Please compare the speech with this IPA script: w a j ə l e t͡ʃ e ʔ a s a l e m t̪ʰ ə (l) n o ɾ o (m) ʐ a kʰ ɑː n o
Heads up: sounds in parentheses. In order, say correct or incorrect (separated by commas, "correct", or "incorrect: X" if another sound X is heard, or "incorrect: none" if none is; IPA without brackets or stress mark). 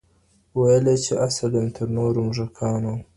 incorrect: ɾ, correct